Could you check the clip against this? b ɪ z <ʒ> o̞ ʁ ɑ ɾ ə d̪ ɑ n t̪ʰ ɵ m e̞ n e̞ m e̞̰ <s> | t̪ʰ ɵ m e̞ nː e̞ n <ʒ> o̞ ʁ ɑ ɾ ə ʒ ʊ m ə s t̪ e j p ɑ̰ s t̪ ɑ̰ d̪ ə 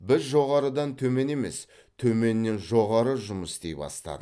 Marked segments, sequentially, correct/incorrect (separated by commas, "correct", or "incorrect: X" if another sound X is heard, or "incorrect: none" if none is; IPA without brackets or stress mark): correct, correct, correct